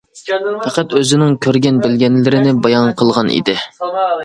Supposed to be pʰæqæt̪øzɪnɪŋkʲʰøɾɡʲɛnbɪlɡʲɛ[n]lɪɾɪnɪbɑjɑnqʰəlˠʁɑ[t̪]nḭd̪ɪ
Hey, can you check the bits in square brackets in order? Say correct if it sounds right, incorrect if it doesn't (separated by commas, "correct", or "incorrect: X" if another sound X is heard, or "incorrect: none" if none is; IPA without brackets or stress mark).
correct, incorrect: none